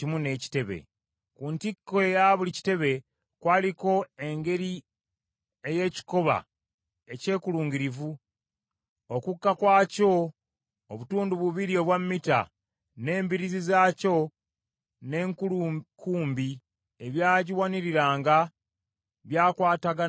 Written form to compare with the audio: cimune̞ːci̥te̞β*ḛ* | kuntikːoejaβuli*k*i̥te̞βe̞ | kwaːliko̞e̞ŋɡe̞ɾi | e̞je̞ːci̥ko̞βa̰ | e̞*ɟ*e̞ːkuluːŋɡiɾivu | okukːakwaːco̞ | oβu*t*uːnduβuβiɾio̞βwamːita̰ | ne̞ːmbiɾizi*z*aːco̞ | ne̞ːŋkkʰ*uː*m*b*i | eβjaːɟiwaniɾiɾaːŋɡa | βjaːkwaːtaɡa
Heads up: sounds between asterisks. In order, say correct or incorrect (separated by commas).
correct, incorrect, incorrect, correct, correct, correct, correct